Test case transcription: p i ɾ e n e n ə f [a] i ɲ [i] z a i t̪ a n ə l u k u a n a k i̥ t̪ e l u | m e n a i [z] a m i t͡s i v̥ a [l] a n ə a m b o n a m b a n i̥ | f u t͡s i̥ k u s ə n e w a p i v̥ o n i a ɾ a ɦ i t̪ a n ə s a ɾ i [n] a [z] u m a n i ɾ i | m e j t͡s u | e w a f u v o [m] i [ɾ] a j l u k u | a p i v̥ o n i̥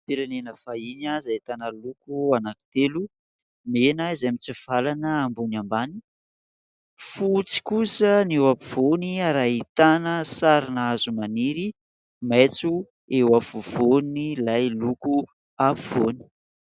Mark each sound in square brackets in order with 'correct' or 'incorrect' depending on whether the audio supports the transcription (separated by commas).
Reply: correct, incorrect, correct, correct, correct, correct, incorrect, incorrect